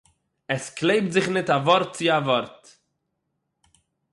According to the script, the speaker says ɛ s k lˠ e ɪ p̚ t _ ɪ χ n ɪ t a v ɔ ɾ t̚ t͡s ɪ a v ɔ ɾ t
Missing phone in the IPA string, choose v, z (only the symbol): z